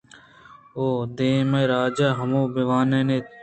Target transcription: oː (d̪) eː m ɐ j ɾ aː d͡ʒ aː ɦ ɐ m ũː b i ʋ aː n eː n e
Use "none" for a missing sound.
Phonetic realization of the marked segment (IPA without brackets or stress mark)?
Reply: d̪